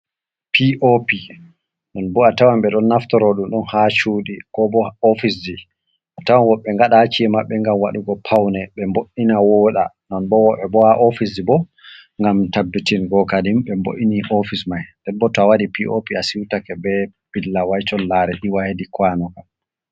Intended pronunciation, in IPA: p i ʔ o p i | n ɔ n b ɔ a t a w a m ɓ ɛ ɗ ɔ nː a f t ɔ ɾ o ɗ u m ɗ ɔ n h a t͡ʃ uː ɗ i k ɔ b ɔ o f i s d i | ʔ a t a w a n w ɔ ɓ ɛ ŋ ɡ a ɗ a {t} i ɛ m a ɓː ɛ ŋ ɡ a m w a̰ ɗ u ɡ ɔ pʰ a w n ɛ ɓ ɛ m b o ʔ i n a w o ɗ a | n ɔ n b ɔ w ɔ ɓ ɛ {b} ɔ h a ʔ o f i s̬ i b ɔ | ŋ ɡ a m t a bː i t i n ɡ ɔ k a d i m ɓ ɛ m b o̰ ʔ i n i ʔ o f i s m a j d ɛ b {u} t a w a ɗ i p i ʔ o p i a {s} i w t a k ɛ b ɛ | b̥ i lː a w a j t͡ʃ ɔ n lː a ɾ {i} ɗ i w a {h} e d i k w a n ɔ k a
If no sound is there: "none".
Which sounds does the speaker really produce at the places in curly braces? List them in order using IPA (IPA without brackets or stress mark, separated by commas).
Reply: t͡ʃ, b, ɔ, s, ɛ, h